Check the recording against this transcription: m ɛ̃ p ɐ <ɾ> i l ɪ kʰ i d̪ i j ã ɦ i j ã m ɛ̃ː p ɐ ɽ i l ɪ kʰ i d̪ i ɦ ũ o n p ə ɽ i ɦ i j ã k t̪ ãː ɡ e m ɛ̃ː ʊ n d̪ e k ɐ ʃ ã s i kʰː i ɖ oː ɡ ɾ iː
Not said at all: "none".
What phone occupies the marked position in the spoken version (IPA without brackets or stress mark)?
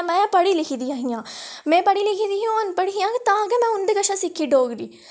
ɽ